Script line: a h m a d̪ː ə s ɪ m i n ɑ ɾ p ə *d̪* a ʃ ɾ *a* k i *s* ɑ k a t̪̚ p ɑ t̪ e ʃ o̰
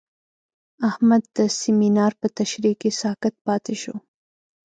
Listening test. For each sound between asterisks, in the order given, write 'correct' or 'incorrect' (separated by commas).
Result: incorrect, incorrect, correct